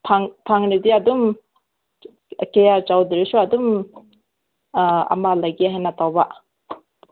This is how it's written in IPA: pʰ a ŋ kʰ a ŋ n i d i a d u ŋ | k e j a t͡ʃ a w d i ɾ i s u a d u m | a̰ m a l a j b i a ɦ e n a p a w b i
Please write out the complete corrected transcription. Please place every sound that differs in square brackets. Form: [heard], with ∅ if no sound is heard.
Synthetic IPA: pʰ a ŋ [pʰ] a ŋ n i d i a d u [m] | k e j a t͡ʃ a w d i ɾ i s u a d u m | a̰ m a l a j [ɡ] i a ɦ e n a [t] a w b [a]